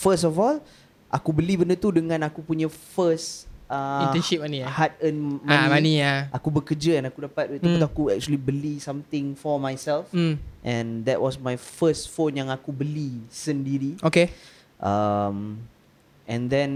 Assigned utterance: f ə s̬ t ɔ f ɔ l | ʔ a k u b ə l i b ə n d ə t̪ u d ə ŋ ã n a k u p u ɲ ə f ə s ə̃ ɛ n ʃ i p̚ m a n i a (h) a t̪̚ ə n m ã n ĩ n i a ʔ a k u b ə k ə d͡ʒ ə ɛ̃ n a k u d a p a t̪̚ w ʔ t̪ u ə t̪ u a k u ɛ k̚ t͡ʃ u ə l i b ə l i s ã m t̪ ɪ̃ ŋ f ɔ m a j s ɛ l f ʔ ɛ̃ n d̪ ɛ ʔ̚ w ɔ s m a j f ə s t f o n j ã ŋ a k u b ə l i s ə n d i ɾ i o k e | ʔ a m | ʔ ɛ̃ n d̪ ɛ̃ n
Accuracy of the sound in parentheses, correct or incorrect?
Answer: correct